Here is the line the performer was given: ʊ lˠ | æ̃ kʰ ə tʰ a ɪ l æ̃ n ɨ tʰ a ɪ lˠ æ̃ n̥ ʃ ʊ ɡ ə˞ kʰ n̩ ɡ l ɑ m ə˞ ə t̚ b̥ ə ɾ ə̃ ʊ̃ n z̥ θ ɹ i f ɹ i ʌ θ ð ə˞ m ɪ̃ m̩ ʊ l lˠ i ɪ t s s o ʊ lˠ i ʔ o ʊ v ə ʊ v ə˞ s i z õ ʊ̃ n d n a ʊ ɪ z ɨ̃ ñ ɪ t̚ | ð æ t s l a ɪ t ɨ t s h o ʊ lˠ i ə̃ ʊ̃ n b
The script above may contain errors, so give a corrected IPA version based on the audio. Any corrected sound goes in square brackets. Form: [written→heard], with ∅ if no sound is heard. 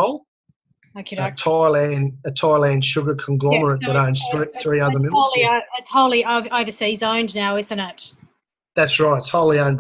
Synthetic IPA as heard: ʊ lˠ | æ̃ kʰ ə tʰ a ɪ l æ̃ n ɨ tʰ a ɪ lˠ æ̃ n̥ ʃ ʊ ɡ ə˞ kʰ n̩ ɡ l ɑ m ə˞ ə t̚ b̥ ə ɾ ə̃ ʊ̃ n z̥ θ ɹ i [f→θ] ɹ i ʌ [θ→∅] ð ə˞ m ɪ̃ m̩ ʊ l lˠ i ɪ t s [s→h] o ʊ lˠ i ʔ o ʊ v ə ʊ v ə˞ s i z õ ʊ̃ n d n a ʊ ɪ z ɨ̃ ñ ɪ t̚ | ð æ t s [l→ɹ] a ɪ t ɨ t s h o ʊ lˠ i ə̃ ʊ̃ n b

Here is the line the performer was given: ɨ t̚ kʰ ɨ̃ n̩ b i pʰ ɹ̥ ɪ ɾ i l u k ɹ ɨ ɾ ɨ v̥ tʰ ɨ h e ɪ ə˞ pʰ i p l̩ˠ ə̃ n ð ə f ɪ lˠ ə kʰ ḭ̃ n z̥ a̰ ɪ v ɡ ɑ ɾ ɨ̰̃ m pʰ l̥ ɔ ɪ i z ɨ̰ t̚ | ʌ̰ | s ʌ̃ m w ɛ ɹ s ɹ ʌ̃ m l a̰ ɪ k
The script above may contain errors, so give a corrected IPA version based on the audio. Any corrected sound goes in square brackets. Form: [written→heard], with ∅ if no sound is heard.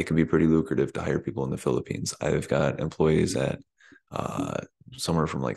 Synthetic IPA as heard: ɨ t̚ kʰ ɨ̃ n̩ b i pʰ ɹ̥ ɪ ɾ i l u k ɹ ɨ ɾ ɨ v̥ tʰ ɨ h [e→a] ɪ ə˞ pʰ i p l̩ˠ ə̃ n ð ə f ɪ lˠ ə [kʰ→pʰ] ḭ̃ n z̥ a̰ ɪ v ɡ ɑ ɾ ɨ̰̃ m pʰ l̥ ɔ ɪ i z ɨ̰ t̚ | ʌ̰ | s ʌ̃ m w ɛ ɹ [s→f] ɹ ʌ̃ m l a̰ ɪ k

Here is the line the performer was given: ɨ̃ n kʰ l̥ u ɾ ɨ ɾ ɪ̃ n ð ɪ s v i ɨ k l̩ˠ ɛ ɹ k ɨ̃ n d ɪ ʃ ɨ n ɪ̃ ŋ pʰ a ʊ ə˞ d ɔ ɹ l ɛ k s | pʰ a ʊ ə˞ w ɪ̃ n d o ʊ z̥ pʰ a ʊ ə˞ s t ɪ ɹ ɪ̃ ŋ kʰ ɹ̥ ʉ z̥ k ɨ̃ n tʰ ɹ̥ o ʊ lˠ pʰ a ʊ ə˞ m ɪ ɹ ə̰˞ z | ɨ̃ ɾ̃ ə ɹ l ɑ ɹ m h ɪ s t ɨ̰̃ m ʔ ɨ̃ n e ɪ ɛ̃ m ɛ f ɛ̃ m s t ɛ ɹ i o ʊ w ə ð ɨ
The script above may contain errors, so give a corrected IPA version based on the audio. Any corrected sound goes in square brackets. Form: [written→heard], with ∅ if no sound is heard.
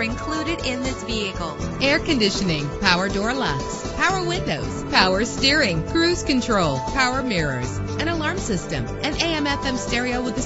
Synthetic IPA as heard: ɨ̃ n kʰ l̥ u ɾ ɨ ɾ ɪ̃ n ð ɪ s v i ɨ k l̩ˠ ɛ ɹ k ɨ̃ n d ɪ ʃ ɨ n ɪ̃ ŋ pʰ a ʊ ə˞ d ɔ ɹ l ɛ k s | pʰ a ʊ ə˞ w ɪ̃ n d o ʊ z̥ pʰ a ʊ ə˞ s t ɪ ɹ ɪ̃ ŋ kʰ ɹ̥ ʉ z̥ k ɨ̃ n tʰ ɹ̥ o ʊ lˠ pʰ a ʊ ə˞ m ɪ ɹ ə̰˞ z | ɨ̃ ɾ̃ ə [ɹ→∅] l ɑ ɹ m [h→s] ɪ s t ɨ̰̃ m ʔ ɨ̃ n e ɪ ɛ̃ m ɛ f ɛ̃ m s t ɛ ɹ i o ʊ w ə ð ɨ

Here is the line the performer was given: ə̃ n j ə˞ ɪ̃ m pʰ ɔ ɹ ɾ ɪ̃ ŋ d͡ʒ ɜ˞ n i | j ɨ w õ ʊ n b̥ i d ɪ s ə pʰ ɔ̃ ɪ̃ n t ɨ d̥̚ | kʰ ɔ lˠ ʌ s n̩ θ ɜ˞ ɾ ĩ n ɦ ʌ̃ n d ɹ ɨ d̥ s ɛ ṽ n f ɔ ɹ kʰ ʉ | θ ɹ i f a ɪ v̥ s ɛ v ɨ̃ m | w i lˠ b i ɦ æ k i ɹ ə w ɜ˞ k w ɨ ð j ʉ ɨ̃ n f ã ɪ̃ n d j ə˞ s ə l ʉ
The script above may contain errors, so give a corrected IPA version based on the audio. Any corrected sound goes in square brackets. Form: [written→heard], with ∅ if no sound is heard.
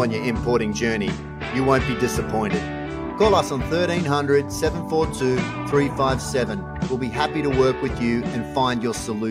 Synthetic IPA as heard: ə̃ n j ə˞ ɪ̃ m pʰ ɔ ɹ ɾ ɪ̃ ŋ d͡ʒ ɜ˞ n i | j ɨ w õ [ʊ→ʊ̃] n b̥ i d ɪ s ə pʰ ɔ̃ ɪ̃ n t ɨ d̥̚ | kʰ ɔ lˠ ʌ s n̩ θ ɜ˞ ɾ ĩ n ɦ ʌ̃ n d ɹ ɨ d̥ s ɛ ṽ n f ɔ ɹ [kʰ→tʰ] ʉ | θ ɹ i f a ɪ v̥ s ɛ v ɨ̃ [m→n] | w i lˠ b i ɦ æ [k→p] i [ɹ→ɾ] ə w ɜ˞ k w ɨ ð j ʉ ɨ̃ n f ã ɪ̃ n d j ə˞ s ə l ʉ

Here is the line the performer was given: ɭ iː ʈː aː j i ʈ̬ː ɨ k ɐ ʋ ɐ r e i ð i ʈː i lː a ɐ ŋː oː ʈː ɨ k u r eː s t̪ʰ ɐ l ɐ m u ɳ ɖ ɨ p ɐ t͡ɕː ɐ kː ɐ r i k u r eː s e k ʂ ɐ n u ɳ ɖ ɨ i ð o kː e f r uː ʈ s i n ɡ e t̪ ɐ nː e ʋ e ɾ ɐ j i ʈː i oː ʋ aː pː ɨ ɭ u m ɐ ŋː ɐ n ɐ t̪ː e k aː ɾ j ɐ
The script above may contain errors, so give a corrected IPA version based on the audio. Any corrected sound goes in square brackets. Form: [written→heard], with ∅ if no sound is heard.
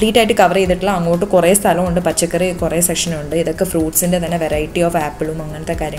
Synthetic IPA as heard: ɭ iː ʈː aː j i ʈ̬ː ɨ k ɐ ʋ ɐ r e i ð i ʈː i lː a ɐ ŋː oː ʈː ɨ k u r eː s t̪ʰ ɐ l ɐ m u ɳ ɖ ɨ p ɐ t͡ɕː ɐ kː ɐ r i k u r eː s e k ʂ ɐ n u ɳ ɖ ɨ i ð o kː e f r uː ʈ s i n [ɡ→d] e t̪ ɐ nː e ʋ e ɾ ɐ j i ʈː i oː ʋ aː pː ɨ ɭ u m ɐ ŋː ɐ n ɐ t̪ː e k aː ɾ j ɐ

